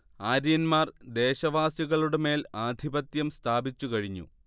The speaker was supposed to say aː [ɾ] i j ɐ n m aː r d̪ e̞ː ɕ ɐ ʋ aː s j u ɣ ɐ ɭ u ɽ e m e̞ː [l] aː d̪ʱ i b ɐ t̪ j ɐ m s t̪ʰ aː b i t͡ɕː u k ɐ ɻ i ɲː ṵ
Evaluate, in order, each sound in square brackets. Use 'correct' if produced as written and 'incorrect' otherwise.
correct, correct

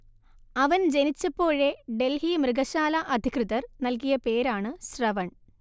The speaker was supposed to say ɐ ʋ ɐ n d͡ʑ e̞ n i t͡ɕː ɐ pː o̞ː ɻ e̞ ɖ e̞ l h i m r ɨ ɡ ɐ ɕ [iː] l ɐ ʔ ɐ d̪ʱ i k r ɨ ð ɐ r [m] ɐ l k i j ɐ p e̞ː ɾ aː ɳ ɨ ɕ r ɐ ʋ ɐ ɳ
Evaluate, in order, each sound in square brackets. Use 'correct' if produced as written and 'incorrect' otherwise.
incorrect: aː, incorrect: n

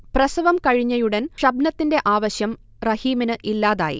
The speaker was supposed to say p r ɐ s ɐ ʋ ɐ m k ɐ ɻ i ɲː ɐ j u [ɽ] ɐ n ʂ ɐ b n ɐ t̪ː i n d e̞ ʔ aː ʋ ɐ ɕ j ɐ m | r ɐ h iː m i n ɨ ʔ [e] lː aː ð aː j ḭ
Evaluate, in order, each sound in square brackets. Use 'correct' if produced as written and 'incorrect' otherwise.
correct, incorrect: i

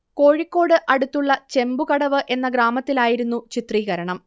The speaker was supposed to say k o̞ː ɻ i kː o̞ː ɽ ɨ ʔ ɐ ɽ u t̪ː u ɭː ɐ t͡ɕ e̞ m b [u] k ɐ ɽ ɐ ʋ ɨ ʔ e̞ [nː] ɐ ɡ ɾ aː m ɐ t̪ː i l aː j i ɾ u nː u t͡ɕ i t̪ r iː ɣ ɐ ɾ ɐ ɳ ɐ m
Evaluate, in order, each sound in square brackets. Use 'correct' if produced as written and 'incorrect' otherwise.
correct, correct

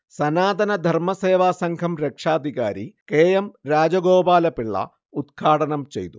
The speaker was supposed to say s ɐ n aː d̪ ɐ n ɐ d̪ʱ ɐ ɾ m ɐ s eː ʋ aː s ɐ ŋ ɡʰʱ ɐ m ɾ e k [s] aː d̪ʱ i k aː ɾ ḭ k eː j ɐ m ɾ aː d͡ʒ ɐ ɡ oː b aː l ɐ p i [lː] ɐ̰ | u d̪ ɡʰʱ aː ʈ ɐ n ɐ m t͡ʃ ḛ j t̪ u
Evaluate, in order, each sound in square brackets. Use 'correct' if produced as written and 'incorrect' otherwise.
incorrect: ʂ, incorrect: ɭː

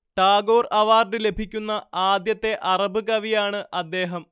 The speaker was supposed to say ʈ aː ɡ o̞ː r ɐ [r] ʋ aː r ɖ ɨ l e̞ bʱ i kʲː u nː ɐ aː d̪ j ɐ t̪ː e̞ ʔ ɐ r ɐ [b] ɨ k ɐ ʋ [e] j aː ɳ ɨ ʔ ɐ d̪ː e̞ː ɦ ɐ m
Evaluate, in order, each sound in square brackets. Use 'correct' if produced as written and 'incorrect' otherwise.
incorrect: none, correct, incorrect: i

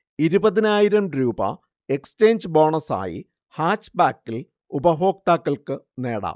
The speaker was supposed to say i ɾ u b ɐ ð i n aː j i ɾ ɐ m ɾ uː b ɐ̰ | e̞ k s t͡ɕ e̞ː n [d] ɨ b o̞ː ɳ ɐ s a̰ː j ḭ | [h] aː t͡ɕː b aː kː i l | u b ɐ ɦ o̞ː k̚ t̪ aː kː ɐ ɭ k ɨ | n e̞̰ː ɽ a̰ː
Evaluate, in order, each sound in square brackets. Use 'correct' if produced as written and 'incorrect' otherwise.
incorrect: d͡ʑ, correct

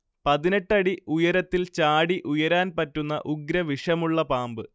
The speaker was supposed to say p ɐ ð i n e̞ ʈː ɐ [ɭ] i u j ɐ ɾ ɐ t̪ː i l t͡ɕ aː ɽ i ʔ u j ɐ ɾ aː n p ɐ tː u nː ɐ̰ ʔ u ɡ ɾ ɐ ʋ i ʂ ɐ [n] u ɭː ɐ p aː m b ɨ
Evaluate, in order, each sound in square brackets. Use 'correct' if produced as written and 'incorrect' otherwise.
incorrect: ɽ, incorrect: m

